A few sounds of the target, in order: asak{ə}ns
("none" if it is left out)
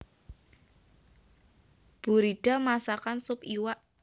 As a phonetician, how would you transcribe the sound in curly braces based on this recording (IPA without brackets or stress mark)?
a